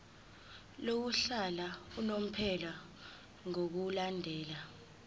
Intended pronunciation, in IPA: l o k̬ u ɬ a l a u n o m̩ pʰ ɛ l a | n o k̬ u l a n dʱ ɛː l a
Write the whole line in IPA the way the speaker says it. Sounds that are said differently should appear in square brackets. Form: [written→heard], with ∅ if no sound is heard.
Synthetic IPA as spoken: l o k̬ u ɬ a l a u n o m̩ pʰ ɛ l a | [n→ŋ] o k̬ u l a n dʱ ɛː l a